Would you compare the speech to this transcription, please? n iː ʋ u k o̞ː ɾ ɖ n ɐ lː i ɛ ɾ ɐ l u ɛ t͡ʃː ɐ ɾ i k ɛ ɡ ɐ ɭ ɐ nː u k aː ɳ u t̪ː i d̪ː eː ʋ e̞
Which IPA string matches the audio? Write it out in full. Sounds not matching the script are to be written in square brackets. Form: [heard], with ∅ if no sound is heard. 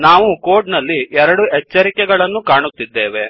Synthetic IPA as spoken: n [aː] ʋ u k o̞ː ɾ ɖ n ɐ lː i ɛ ɾ ɐ [ɽ] u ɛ t͡ʃː ɐ ɾ i k ɛ ɡ ɐ ɭ ɐ nː u k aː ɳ u t̪ː i d̪ː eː ʋ e̞